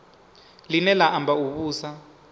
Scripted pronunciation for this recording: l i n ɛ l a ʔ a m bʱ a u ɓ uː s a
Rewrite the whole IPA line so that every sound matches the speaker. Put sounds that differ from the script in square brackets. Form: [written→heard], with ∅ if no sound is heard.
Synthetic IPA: l i n ɛ l a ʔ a m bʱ a u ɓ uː s a